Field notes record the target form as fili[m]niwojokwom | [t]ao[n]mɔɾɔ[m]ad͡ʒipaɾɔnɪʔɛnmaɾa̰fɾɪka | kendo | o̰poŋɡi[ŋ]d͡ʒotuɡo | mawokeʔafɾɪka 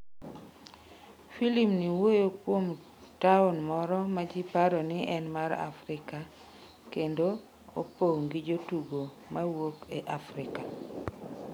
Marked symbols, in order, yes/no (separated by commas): yes, yes, yes, yes, no